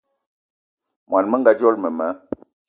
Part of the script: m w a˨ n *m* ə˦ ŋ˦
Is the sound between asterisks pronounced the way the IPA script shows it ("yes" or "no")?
yes